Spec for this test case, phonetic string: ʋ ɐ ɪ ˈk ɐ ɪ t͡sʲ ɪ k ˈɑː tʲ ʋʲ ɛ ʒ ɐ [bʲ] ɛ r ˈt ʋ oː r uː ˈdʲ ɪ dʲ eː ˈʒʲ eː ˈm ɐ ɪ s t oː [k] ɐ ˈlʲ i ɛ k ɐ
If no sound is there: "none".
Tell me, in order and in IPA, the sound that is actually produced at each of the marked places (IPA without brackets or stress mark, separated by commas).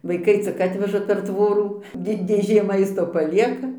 pʲ, p